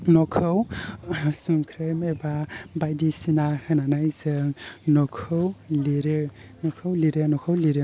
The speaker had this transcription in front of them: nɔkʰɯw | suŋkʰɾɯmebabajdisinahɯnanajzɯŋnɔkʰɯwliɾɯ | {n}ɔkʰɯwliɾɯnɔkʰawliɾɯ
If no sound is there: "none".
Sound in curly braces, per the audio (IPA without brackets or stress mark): n